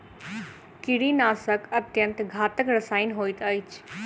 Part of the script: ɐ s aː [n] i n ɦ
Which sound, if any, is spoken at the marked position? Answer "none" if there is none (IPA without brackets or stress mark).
none